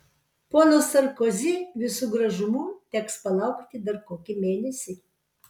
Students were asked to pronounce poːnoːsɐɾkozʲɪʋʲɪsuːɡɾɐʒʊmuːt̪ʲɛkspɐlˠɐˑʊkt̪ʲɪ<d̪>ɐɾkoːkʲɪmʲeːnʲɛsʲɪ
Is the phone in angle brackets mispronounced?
no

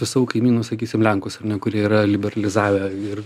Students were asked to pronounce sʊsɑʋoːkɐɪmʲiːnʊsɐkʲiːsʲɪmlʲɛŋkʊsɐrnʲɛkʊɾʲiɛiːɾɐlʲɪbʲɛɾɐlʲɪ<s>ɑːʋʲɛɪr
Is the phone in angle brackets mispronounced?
yes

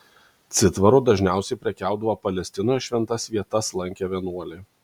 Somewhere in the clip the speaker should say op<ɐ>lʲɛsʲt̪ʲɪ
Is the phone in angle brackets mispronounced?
no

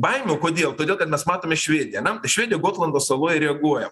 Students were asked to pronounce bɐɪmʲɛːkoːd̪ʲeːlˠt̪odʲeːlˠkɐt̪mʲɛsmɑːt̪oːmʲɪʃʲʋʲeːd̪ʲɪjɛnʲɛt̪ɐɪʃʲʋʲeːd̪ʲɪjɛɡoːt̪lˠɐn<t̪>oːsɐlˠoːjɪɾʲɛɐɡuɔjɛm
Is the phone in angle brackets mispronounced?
yes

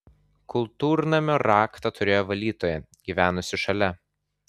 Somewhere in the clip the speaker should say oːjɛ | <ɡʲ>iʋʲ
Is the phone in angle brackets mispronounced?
no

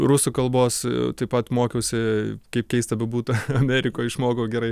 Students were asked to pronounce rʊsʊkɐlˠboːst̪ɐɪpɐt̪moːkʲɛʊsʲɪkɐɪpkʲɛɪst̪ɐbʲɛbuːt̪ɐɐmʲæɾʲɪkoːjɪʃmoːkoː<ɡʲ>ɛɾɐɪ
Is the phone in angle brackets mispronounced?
no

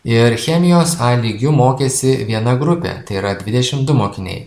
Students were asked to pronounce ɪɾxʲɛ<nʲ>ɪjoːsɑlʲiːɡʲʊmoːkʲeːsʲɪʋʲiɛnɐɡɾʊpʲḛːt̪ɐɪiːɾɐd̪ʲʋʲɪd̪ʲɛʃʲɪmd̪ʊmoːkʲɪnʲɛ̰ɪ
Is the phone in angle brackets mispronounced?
yes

